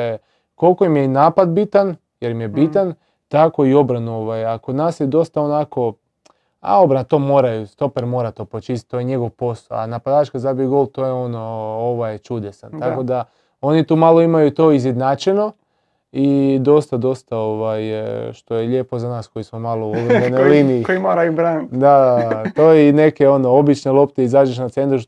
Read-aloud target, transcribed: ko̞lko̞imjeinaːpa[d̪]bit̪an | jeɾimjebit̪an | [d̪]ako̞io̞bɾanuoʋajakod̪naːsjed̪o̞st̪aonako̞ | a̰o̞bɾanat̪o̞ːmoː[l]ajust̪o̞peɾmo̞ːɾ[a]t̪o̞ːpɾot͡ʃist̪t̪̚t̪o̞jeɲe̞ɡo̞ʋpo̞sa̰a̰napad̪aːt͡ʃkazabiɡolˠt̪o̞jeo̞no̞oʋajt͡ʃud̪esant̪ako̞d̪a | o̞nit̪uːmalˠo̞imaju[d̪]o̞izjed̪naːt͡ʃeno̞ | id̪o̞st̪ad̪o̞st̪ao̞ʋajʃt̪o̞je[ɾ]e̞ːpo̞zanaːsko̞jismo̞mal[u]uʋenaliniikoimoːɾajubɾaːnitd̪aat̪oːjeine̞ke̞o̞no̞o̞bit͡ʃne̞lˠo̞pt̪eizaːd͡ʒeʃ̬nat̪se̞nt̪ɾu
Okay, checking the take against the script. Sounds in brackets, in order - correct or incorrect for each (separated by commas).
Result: correct, incorrect, incorrect, correct, incorrect, incorrect, incorrect